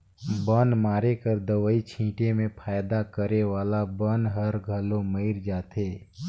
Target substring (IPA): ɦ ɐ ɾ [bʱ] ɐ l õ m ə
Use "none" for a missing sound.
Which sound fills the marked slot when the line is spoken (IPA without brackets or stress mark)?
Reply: ɡʱ